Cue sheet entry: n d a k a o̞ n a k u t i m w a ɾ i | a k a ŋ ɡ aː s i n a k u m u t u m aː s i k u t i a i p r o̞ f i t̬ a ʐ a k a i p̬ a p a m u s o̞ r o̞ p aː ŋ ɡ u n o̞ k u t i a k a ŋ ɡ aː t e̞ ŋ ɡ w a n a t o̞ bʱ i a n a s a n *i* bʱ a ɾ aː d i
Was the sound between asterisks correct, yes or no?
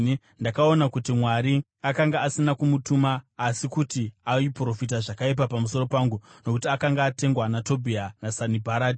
yes